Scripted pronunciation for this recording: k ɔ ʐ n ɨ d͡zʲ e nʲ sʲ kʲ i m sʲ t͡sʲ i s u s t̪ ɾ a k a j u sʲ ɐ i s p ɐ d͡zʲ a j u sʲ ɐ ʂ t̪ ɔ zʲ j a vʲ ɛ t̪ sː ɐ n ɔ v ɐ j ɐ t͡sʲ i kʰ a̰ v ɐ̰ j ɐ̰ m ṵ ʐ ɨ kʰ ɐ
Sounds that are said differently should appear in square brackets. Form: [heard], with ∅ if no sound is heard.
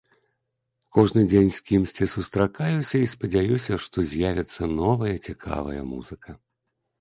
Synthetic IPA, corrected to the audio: k ɔ ʐ n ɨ d͡zʲ e nʲ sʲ kʲ i m sʲ t͡sʲ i s u s t̪ ɾ a k a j u sʲ ɐ i s p ɐ d͡zʲ a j u sʲ ɐ ʂ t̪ ɔ zʲ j a vʲ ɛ t̪ sː ɐ n ɔ v ɐ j ɐ t͡sʲ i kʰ a̰ v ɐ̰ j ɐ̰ m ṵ [z] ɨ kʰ ɐ